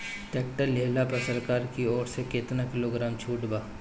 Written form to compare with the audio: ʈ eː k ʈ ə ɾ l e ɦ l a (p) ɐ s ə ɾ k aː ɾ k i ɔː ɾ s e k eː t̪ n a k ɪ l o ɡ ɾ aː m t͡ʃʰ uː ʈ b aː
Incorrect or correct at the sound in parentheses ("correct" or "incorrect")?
correct